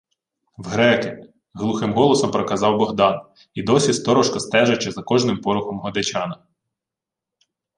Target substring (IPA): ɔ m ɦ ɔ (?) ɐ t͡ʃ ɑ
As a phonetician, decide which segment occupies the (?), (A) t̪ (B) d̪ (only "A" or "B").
B